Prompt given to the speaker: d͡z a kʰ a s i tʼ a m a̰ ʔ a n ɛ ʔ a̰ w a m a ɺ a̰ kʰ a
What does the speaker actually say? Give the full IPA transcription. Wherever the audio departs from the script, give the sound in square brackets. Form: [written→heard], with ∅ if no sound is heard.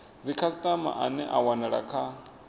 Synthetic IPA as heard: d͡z [a→i] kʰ a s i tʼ a m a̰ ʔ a n ɛ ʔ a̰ w a [m→n] a ɺ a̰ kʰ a